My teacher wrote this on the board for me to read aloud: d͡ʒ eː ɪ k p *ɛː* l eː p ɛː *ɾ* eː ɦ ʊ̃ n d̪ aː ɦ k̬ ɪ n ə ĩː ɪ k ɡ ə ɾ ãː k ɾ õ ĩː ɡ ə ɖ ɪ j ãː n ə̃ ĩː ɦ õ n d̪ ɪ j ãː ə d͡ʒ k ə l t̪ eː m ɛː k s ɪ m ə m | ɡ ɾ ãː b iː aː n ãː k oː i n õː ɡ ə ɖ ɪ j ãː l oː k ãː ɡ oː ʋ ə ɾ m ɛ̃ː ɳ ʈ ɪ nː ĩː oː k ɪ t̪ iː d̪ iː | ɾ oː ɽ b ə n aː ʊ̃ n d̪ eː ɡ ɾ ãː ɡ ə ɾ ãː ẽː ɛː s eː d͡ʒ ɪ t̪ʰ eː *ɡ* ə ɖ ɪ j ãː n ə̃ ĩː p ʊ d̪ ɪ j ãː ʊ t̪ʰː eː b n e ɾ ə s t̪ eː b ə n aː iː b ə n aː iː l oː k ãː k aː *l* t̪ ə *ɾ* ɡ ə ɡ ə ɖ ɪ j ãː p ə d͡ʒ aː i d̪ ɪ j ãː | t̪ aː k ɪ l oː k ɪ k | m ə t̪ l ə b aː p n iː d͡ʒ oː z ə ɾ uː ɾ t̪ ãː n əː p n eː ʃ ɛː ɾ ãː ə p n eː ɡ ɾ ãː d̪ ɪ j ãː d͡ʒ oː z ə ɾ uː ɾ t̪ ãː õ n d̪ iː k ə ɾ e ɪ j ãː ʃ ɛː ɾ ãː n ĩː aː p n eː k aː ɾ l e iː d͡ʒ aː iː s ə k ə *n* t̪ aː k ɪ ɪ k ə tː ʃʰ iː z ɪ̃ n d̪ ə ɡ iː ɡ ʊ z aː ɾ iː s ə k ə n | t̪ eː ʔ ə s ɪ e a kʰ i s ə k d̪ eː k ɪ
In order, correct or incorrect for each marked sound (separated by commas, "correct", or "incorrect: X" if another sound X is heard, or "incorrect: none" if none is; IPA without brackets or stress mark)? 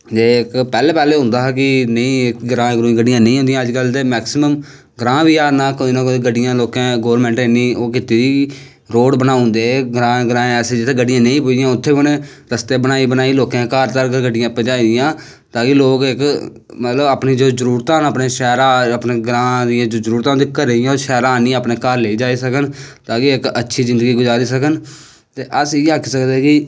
correct, incorrect: l, correct, incorrect: ɾ, correct, correct